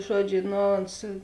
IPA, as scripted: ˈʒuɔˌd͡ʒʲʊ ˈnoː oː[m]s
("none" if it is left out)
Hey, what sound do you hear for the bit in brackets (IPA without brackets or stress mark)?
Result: n